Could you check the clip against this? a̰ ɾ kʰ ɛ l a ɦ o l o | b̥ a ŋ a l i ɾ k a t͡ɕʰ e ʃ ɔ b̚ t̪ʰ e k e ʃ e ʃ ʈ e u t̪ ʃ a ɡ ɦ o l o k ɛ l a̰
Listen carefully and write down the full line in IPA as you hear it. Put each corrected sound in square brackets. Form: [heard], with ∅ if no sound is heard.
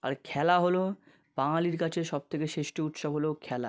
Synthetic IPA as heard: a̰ ɾ kʰ ɛ l a ɦ o l o | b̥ a ŋ a l i ɾ k a t͡ɕʰ e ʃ ɔ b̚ t̪ʰ e k e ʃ e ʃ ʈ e u t̪ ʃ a [b] ɦ o l o [kʰ] ɛ l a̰

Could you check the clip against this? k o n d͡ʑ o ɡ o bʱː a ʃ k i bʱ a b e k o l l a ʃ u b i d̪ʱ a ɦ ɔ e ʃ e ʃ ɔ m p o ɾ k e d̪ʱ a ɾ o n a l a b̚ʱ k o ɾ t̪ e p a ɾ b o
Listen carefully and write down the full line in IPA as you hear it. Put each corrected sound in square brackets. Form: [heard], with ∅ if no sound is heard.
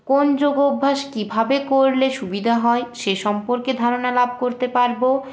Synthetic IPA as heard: k o n d͡ʑ o ɡ o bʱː a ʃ k i bʱ a b e k o [ɾ] l [e] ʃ u b i d̪ʱ a ɦ ɔ e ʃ e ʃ ɔ m p o ɾ k e d̪ʱ a ɾ o n a l a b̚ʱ k o ɾ t̪ e p a ɾ b o

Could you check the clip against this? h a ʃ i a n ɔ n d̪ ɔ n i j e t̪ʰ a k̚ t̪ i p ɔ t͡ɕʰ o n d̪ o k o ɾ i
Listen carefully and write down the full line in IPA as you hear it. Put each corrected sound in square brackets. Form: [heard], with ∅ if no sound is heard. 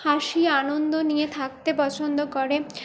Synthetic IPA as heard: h a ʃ i a n [o] n d̪ [o] n i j e t̪ʰ a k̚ t̪ [e] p ɔ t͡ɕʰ o n d̪ o k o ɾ [e]

